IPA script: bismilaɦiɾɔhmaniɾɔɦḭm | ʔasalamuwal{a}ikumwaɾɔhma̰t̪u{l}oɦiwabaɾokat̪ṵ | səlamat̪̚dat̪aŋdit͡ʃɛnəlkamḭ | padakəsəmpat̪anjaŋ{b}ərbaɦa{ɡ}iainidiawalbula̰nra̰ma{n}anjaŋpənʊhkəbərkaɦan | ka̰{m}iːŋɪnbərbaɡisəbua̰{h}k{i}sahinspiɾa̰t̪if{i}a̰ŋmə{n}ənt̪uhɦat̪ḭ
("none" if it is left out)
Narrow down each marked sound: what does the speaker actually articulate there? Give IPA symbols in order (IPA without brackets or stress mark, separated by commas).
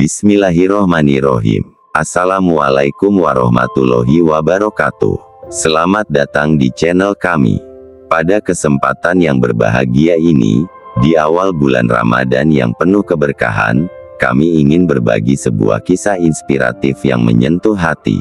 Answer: a, l, b, ɡ, d, m, h, i, j, ɲ